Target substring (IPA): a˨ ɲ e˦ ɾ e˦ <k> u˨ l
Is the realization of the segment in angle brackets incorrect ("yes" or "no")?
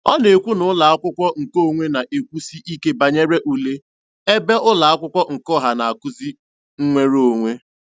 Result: yes